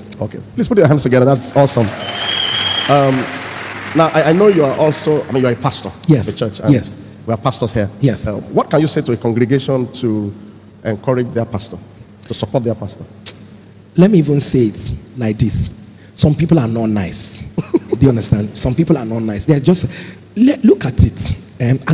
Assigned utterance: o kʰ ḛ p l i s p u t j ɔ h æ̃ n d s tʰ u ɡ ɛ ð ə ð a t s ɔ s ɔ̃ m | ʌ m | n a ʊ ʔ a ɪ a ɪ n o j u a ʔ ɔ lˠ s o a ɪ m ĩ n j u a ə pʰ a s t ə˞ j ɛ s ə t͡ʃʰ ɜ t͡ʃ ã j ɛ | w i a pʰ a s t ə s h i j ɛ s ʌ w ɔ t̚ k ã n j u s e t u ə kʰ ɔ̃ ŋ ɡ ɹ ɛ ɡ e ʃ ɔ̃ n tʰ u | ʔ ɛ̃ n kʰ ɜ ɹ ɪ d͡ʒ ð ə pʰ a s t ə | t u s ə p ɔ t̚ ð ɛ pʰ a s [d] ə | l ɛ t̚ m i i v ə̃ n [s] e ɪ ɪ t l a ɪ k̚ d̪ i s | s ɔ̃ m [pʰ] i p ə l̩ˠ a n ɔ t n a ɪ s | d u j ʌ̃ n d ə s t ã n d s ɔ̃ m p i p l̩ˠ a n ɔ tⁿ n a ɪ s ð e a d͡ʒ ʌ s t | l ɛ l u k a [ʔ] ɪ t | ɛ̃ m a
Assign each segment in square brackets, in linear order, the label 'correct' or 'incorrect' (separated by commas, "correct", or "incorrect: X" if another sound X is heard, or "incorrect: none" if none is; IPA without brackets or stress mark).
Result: incorrect: t, correct, incorrect: p, incorrect: t